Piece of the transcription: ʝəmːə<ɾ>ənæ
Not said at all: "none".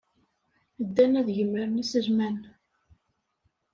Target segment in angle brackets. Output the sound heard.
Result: ɾ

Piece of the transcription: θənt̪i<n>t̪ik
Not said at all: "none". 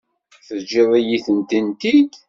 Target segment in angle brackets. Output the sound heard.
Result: n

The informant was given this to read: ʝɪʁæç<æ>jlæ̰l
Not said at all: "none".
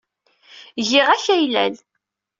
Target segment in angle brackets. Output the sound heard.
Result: æ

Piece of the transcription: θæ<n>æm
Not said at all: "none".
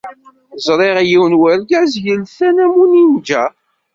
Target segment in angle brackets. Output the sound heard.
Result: n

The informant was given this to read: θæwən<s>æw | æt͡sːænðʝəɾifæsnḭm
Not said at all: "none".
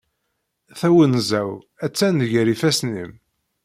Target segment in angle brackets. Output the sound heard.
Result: z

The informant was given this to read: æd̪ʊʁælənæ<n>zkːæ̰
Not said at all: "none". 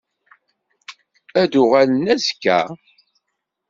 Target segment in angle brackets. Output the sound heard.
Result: none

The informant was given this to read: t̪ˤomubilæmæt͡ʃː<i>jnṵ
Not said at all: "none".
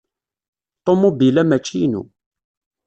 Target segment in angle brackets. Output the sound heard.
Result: i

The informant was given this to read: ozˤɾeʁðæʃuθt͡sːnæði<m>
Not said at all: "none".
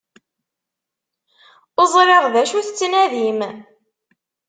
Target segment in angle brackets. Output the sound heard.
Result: m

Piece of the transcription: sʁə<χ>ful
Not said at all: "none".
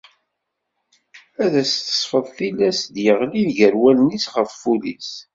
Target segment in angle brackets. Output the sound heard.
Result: f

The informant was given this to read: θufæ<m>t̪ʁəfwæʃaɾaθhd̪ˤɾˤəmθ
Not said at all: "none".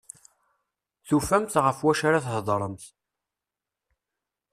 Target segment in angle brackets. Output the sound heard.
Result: m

